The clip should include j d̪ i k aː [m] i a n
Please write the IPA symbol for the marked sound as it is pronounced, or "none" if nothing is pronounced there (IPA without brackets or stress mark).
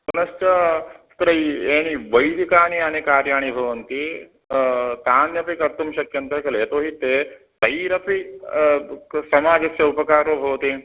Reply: n